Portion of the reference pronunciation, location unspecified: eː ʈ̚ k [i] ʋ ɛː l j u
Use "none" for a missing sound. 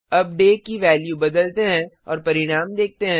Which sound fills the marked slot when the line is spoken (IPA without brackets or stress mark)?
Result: i